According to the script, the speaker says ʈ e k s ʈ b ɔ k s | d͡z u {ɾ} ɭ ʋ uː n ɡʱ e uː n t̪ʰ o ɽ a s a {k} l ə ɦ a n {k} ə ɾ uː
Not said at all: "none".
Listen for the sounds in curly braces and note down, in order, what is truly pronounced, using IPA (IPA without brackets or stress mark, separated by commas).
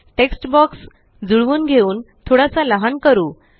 none, none, k